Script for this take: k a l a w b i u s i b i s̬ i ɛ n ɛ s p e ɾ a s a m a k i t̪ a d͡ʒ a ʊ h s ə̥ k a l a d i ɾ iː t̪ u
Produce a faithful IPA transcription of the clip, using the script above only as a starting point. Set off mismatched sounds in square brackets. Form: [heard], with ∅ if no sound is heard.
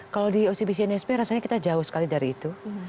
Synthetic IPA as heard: k a l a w [d] i [o] s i b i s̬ i ɛ n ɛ s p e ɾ a s a [ɲ] a k i t̪ a d͡ʒ a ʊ h s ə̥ k a l [i] d [a] ɾ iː t̪ u